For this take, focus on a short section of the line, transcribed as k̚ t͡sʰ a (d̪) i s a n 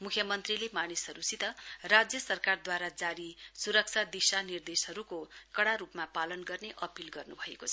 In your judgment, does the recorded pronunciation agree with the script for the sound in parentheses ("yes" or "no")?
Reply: yes